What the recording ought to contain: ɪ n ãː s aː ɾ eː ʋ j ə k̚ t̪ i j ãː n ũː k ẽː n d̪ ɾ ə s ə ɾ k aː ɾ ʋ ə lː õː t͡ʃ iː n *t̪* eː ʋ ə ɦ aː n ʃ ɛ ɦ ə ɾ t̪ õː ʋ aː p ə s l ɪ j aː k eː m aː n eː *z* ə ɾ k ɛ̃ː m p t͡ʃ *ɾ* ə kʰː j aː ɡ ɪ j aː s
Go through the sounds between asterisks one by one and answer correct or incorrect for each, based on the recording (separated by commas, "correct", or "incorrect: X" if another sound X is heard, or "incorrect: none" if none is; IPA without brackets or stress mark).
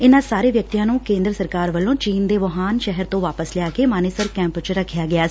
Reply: incorrect: d̪, incorrect: s, correct